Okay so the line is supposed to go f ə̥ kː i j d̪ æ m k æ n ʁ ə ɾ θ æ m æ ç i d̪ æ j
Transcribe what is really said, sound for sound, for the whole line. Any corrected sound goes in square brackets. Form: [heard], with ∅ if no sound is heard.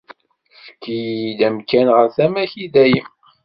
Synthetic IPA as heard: f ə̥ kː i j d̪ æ m k æ n ʁ ə ɾ θ æ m æ ç i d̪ æ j